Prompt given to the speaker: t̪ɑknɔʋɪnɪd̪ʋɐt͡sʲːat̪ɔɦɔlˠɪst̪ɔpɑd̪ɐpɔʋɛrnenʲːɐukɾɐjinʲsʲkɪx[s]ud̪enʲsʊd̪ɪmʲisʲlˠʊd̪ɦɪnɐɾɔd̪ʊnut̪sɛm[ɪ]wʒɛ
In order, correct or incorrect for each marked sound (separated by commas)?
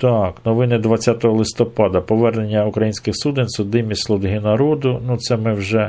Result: correct, correct